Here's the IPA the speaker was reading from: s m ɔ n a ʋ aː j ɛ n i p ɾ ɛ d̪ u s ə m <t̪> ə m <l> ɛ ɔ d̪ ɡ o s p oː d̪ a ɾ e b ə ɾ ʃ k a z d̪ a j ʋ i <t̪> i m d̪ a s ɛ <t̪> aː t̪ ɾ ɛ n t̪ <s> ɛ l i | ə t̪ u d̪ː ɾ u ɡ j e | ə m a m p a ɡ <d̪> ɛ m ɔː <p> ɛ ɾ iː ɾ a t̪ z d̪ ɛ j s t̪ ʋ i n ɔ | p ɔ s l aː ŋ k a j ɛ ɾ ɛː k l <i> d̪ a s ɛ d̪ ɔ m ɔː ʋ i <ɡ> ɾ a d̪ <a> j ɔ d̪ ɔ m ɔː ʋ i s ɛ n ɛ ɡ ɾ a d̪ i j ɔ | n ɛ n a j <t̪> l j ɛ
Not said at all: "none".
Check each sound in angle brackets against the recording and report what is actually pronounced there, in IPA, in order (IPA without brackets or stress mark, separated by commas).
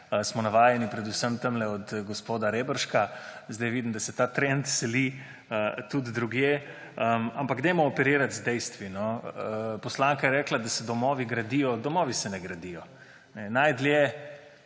t̪, l, d̪, t̪, s, d̪, p, a, ɡ, i, d̪